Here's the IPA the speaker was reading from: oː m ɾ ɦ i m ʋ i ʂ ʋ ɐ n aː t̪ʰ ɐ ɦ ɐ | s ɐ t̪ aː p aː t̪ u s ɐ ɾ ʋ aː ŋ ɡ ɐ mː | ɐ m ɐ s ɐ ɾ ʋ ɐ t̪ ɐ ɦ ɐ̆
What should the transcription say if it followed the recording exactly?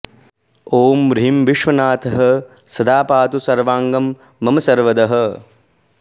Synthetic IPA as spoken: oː m ɾ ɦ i m ʋ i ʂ ʋ ɐ n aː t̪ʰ ɐ ɦ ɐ | s ɐ d̪ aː p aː t̪ u s ɐ ɾ ʋ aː ŋ ɡ ɐ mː | ɐ m ɐ s ɐ ɾ ʋ ɐ d̪ ɐ ɦ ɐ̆

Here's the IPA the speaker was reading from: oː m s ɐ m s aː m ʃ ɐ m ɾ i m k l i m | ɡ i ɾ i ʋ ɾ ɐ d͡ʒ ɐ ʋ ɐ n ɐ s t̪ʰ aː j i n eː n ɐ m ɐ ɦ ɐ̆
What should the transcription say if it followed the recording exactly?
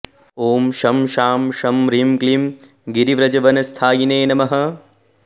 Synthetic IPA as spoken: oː m ʃ ɐ m ʃ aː m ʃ ɐ m ɾ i m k l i m | ɡ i ɾ i ʋ ɾ ɐ d͡ʒ ɐ ʋ ɐ n ɐ s t̪ʰ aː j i n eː n ɐ m ɐ ɦ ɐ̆

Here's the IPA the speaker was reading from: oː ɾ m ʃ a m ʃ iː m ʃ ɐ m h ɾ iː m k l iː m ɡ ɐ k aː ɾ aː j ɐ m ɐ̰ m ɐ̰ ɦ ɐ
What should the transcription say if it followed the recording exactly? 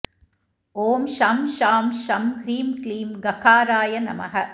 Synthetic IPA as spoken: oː m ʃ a m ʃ aː m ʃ ɐ m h ɾ iː m k l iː m ɡ ɐ k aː ɾ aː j ɐ n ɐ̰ m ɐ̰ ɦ ɐ

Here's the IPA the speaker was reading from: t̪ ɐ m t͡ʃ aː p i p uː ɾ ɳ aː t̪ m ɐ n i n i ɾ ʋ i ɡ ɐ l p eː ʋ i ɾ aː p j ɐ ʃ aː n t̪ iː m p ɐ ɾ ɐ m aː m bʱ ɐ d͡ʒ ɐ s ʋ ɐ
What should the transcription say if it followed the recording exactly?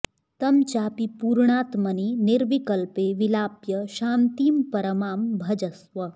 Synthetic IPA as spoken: t̪ ɐ m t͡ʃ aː p i p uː ɾ ɳ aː t̪ m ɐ n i n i ɾ ʋ i k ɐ l p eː ʋ i l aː p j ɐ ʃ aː n t̪ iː m p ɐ ɾ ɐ m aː m bʱ ɐ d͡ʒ ɐ s ʋ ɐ

